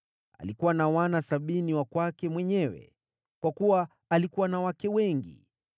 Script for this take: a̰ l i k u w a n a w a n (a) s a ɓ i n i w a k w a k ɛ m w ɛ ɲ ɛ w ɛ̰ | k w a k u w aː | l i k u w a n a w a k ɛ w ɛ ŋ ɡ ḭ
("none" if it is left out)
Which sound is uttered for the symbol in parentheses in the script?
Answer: a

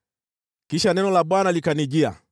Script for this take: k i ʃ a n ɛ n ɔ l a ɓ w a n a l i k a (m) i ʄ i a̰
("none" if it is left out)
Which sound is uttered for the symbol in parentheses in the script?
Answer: n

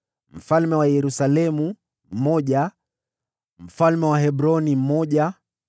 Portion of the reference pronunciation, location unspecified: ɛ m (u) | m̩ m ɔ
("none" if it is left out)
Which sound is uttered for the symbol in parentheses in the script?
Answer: u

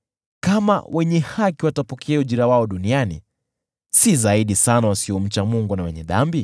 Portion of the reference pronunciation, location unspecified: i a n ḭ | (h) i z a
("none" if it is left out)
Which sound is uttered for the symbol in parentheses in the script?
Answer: s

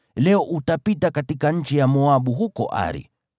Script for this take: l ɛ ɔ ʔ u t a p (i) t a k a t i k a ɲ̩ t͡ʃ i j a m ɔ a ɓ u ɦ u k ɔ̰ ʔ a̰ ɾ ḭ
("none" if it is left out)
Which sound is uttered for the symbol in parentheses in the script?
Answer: i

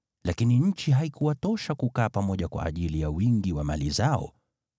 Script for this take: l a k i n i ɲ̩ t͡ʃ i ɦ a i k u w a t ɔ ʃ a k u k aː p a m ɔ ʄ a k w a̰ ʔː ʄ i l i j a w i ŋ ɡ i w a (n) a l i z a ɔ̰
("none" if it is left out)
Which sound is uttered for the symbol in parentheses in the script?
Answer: m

